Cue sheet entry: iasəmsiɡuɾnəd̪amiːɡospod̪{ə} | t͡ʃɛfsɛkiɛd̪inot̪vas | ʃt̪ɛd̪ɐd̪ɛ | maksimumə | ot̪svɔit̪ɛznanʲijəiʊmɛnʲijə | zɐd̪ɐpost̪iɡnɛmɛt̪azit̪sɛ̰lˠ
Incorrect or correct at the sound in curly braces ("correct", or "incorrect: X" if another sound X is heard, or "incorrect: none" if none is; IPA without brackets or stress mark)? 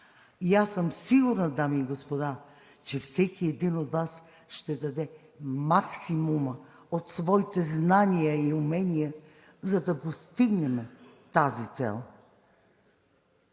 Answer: incorrect: a